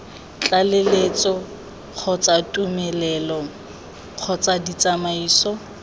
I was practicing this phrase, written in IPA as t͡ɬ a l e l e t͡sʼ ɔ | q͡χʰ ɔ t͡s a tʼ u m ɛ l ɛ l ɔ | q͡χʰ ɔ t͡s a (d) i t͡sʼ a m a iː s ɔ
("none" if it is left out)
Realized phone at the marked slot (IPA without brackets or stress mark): d